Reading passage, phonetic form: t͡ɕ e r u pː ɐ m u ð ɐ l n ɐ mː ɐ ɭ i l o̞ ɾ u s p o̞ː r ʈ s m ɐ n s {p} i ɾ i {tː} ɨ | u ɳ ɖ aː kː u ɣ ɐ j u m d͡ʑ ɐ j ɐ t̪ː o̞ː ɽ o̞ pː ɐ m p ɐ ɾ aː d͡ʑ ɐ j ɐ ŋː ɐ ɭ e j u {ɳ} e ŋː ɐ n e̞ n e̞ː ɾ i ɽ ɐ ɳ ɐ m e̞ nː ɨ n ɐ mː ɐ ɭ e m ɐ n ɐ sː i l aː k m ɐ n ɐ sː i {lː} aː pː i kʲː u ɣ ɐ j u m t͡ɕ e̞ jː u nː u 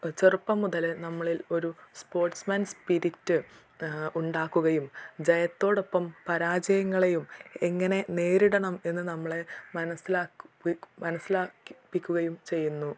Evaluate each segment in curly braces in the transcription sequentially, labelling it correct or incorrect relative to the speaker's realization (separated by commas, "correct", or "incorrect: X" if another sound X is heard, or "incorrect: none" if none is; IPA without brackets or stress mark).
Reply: correct, correct, incorrect: m, incorrect: l